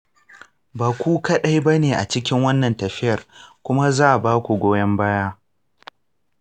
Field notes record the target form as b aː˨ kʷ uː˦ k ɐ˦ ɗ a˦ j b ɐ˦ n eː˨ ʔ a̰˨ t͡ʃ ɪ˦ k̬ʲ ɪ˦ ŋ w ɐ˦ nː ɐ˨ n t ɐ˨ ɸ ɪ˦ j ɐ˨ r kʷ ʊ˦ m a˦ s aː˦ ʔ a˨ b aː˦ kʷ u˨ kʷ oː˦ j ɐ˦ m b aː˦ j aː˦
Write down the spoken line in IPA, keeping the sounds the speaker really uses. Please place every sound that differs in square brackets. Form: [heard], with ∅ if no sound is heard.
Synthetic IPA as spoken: b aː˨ kʷ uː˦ k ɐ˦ ɗ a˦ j b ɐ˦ n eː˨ ʔ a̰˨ t͡ʃ ɪ˦ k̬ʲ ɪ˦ ŋ w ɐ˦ nː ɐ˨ n t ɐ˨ ɸ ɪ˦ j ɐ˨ r kʷ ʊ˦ m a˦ [z] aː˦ ʔ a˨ b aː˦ kʷ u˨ [ɡʷ] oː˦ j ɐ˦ m b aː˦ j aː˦